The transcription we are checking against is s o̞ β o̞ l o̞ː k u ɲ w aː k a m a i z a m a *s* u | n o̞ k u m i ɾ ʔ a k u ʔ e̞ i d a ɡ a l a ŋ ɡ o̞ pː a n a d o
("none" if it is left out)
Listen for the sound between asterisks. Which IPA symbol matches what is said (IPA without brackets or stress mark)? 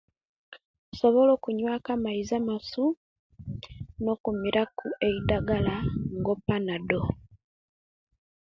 s